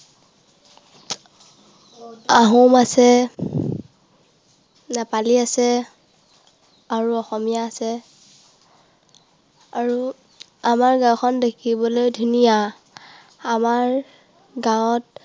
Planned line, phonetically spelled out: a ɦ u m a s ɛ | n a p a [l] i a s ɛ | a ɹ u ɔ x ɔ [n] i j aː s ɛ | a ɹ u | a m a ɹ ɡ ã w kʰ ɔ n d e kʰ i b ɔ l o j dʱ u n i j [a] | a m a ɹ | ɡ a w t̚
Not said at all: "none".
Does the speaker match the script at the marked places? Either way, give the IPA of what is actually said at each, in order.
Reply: l, m, a

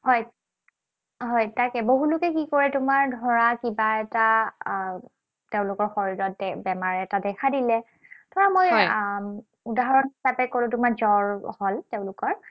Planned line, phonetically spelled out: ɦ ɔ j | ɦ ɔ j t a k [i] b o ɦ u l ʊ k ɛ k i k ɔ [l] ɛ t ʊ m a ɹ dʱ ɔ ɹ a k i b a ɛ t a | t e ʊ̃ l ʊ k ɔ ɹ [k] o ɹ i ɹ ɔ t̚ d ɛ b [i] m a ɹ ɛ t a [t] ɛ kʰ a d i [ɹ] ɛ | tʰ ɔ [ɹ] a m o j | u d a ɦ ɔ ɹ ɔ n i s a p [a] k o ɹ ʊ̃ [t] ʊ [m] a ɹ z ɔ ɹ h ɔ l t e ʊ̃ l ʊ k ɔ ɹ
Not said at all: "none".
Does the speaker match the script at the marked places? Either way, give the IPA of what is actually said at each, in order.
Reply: ɛ, ɹ, x, ɛ, d, l, ɹ, ɛ, t, m

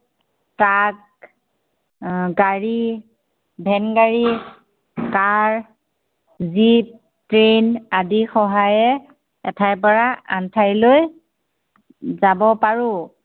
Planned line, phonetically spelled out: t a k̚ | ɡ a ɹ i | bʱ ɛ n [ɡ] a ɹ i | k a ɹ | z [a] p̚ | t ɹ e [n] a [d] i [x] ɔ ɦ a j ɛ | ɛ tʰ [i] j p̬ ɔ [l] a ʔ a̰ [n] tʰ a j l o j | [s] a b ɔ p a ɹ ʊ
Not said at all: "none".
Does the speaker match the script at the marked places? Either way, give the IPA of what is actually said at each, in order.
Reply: ɡ, i, n, d, x, a, ɹ, n, z

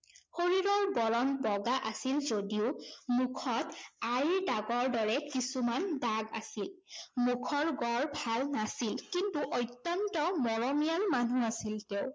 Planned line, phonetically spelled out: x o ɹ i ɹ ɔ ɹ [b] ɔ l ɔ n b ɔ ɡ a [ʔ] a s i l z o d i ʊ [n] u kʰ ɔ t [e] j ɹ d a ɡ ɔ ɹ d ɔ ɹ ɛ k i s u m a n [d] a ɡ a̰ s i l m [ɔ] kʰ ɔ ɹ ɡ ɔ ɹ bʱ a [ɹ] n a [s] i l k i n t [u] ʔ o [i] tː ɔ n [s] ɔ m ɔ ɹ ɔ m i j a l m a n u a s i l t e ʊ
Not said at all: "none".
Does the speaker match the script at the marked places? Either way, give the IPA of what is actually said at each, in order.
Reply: b, ʔ, m, a, d, u, l, s, u, j, t

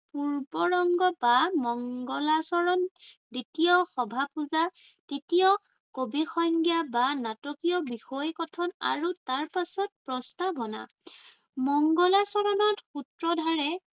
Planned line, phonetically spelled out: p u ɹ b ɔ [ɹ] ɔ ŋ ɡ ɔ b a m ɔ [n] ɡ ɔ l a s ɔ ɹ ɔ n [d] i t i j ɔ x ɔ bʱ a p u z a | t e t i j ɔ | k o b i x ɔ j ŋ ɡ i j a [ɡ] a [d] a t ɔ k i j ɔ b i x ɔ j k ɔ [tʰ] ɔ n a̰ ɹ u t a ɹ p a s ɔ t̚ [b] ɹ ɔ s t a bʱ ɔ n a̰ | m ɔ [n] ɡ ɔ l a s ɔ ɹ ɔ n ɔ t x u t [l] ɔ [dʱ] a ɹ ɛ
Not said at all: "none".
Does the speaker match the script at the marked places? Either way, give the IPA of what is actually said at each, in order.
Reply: ɹ, ŋ, d, b, n, tʰ, p, ŋ, ɹ, dʱ

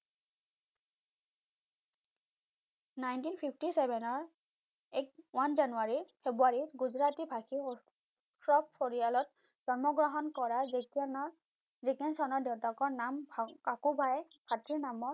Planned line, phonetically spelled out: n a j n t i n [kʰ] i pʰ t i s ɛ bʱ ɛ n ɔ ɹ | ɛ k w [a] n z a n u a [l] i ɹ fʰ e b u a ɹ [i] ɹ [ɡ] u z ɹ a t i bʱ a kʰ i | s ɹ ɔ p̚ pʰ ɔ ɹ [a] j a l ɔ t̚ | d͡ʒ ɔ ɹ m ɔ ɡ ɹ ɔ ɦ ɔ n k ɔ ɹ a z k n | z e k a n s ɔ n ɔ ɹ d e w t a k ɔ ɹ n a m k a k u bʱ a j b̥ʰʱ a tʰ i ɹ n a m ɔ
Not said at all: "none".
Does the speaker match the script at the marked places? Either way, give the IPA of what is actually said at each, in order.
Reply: pʰ, a, ɹ, i, ɡ, i

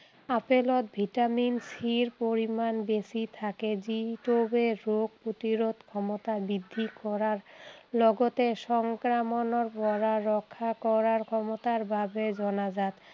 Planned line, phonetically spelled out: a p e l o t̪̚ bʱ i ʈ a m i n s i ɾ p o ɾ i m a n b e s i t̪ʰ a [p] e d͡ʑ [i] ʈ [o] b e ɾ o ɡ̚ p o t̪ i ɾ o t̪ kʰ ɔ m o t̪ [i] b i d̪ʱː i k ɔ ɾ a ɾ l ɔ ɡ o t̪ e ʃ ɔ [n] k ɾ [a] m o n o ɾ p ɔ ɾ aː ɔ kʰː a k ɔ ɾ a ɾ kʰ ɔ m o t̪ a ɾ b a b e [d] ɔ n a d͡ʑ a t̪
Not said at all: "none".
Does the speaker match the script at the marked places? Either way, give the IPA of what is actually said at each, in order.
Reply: k, i, o, a, ŋ, a, d͡ʑ

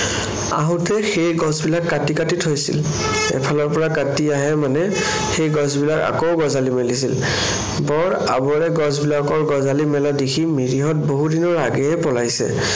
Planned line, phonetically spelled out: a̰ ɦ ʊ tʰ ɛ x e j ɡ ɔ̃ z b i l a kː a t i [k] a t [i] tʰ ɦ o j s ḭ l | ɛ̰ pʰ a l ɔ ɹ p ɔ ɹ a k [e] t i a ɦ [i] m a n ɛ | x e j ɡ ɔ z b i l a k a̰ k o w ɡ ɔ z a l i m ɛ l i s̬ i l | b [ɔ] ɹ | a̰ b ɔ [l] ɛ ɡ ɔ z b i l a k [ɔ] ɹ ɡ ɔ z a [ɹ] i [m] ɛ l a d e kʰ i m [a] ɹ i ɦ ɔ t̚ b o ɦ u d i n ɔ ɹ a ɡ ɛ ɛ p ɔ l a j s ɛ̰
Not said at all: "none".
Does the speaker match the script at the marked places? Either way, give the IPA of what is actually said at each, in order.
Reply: k, i, a, ɛ, ɔ, ɹ, ɔ, l, m, i

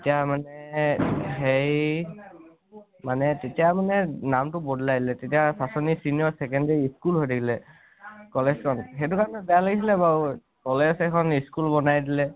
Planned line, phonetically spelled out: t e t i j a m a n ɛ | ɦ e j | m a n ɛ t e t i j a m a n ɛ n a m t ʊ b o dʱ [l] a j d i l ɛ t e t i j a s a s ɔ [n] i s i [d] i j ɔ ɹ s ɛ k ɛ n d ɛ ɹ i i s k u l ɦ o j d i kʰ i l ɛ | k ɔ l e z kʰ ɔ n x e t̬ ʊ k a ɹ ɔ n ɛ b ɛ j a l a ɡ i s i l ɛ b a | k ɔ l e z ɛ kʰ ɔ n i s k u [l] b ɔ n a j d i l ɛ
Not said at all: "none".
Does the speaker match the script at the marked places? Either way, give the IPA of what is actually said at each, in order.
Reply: l, n, n, l

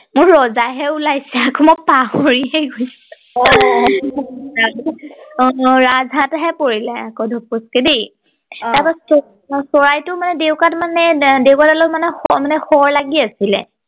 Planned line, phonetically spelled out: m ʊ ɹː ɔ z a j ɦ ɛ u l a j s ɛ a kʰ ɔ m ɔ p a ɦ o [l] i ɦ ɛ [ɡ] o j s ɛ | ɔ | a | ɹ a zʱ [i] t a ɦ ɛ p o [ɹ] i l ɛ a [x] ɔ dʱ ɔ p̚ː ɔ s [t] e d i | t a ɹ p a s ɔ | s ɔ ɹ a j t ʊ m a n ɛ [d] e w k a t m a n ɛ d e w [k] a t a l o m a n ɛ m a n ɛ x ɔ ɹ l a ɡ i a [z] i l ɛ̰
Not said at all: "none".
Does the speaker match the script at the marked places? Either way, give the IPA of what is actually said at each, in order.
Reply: ɹ, ɡ, a, ɹ, k, k, d, k, s

